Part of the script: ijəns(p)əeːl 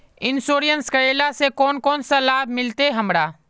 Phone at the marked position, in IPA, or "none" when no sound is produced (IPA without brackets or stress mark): k